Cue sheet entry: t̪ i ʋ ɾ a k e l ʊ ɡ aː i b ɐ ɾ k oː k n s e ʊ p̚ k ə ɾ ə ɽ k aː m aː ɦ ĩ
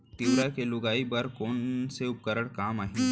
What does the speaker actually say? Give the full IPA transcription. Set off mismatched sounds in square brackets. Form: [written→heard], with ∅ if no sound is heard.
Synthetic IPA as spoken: t̪ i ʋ ɾ a k e l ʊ ɡ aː i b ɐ ɾ k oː [k→∅] n s e ʊ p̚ k ə ɾ ə ɽ k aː m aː ɦ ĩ